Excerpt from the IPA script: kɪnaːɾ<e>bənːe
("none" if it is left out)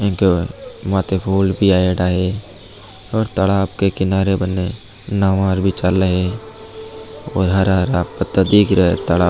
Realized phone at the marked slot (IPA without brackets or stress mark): e